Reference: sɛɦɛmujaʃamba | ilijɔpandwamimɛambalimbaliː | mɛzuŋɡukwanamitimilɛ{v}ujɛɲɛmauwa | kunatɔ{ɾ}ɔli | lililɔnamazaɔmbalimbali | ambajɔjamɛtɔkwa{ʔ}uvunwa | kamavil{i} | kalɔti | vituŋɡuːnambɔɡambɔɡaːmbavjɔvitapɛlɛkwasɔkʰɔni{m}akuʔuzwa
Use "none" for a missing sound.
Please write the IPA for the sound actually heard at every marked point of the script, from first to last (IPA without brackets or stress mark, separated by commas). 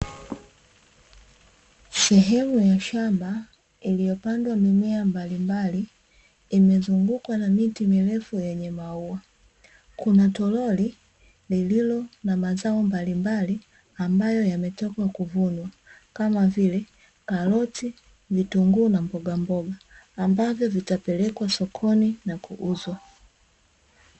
f, l, k, ɛ, n